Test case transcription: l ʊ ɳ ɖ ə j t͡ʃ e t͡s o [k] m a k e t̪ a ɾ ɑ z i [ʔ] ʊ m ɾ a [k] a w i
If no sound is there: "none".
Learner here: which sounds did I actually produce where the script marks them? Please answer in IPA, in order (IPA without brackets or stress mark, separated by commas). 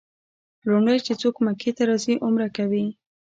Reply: k, ʔ, k